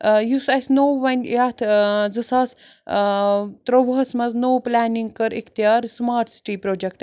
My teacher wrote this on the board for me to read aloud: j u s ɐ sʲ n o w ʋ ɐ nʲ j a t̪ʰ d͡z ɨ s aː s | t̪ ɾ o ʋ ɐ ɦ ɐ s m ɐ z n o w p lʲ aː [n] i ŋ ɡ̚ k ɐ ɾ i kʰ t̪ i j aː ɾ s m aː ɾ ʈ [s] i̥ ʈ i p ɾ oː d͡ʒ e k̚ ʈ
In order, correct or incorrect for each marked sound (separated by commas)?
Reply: correct, correct